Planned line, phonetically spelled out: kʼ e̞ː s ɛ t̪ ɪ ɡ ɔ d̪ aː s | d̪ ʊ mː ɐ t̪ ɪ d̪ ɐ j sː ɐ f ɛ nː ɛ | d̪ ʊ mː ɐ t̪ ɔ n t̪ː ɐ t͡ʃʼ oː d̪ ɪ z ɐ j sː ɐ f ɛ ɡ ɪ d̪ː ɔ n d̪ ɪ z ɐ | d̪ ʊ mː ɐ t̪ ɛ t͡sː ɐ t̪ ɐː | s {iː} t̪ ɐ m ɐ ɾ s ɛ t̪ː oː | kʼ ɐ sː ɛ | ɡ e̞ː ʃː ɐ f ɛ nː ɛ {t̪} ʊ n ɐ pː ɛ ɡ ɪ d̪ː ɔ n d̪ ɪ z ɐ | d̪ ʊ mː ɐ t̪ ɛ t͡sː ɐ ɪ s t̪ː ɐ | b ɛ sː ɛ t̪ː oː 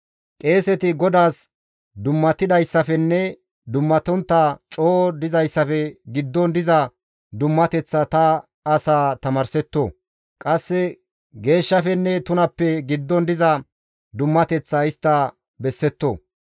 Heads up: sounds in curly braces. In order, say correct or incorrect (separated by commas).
incorrect, correct